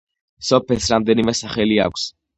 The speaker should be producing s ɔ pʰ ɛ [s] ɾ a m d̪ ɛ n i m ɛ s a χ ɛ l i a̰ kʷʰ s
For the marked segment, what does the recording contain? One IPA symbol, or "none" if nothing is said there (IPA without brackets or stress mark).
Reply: s